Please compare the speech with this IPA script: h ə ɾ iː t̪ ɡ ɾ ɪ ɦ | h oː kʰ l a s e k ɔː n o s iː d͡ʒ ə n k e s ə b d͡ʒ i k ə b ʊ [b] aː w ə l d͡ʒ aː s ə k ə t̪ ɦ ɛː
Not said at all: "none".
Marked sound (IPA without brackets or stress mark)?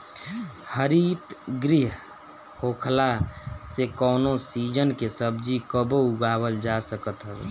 ɡ